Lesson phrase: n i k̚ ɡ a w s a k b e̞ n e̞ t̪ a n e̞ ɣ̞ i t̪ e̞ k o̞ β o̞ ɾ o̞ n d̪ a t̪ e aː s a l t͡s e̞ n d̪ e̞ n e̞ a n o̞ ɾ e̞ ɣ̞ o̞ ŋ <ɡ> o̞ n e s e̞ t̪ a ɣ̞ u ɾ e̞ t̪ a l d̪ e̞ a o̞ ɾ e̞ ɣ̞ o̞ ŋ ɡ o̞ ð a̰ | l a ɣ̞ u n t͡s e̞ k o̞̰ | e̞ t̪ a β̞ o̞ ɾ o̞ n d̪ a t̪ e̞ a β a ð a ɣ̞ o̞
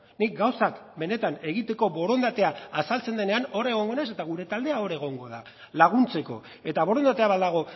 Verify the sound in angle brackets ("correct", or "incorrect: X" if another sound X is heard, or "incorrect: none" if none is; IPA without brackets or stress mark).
correct